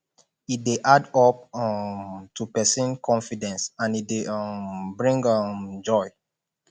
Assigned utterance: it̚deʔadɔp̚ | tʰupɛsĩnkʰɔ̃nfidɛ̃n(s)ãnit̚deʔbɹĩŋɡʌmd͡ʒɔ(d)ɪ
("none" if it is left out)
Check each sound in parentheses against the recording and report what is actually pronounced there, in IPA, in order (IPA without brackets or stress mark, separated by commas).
s, none